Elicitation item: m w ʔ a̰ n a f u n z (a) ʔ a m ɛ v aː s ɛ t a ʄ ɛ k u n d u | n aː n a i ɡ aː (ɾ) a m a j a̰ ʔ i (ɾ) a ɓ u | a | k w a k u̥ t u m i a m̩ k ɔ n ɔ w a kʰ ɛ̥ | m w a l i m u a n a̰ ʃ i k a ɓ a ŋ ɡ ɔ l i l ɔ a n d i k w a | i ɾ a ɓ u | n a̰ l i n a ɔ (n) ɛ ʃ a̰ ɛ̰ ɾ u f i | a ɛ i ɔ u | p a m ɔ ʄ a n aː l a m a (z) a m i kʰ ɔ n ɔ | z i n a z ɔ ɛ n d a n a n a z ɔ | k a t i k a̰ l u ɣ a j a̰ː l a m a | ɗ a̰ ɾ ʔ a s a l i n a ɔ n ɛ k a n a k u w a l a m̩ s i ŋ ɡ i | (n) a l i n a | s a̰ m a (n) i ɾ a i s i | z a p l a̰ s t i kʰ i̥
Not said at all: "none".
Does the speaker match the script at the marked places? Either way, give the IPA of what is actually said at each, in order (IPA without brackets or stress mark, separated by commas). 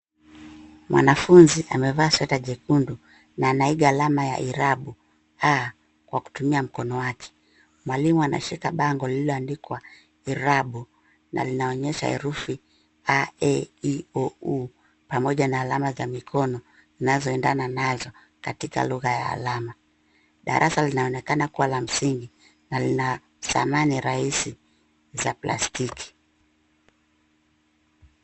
i, l, ɾ, ɲ, z, n, n